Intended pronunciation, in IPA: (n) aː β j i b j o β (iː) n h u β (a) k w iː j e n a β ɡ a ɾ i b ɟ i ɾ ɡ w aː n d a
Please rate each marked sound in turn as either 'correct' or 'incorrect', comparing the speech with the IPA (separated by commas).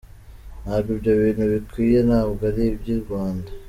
correct, correct, incorrect